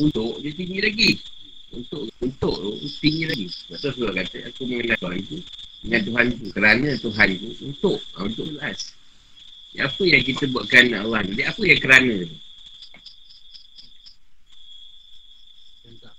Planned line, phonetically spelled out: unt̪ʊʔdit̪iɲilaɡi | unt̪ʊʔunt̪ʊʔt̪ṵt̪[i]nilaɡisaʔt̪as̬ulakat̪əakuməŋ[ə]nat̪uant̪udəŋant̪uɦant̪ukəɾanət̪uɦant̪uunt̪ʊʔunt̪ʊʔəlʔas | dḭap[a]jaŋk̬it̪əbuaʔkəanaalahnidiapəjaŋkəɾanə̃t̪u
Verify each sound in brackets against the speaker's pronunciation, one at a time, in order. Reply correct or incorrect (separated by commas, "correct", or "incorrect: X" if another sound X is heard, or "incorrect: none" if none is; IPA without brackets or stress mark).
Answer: correct, correct, incorrect: ə